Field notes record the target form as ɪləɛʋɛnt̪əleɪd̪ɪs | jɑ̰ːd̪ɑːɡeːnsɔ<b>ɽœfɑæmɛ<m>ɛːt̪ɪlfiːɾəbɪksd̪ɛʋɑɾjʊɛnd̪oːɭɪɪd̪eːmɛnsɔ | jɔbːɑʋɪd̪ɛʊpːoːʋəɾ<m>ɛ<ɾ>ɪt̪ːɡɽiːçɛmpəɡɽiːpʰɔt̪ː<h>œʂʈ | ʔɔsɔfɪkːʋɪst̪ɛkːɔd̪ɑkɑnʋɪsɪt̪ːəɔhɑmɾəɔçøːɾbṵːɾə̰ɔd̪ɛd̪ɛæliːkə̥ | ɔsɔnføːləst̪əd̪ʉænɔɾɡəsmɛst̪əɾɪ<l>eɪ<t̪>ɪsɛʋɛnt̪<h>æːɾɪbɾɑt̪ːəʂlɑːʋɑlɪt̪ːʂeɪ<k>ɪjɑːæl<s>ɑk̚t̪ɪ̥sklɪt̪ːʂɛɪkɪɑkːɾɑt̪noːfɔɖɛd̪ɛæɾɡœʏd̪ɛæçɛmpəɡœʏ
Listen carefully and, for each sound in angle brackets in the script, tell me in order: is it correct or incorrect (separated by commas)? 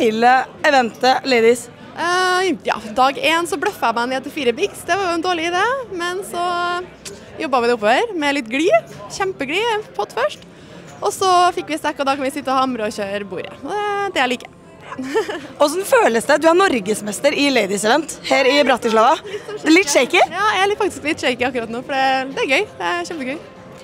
correct, incorrect, correct, incorrect, incorrect, correct, incorrect, correct, correct, incorrect